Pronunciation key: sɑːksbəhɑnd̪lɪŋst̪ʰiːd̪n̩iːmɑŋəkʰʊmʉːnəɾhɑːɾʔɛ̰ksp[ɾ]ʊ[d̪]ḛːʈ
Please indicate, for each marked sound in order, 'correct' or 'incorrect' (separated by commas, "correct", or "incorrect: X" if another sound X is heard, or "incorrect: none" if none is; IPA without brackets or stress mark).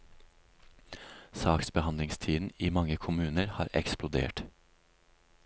incorrect: l, correct